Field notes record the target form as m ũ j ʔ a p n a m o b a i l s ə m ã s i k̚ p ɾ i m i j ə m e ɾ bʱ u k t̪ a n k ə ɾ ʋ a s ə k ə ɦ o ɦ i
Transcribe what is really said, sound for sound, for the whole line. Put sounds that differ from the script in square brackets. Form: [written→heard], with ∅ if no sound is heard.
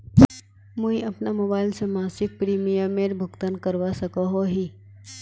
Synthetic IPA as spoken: m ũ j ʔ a p n a m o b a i l s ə m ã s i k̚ p ɾ i m i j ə m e ɾ bʱ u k t̪ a n k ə ɾ ʋ a s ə k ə ɦ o ɦ i